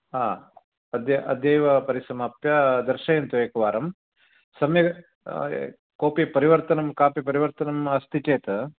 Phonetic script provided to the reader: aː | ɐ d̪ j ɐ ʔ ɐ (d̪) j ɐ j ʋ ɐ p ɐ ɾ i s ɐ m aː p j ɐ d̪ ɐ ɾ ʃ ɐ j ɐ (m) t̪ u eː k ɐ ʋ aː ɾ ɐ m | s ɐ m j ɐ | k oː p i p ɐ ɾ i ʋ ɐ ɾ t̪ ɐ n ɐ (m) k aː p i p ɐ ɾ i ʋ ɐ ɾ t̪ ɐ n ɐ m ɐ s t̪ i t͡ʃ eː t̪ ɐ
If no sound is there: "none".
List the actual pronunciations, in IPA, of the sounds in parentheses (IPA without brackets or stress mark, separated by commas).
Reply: d̪, n, m